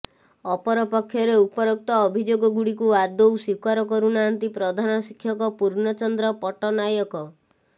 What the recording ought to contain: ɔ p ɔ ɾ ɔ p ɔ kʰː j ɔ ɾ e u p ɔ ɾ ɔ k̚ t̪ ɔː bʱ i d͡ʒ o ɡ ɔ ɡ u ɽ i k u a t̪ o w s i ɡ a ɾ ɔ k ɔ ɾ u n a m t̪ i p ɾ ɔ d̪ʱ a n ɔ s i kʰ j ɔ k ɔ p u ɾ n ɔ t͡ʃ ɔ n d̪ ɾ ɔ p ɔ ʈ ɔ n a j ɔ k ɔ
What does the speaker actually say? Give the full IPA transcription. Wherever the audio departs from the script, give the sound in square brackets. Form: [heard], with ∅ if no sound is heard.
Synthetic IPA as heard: ɔ p ɔ ɾ ɔ p ɔ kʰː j ɔ ɾ e u p ɔ ɾ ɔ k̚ t̪ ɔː bʱ i d͡ʒ o ɡ ɔ ɡ u ɽ i k u a [d̪] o w s i [k] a ɾ ɔ k ɔ ɾ u n a [n] t̪ i p ɾ ɔ d̪ʱ a n ɔ s i kʰ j ɔ k ɔ p u ɾ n ɔ t͡ʃ ɔ n d̪ ɾ ɔ p ɔ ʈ ɔ n a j ɔ k ɔ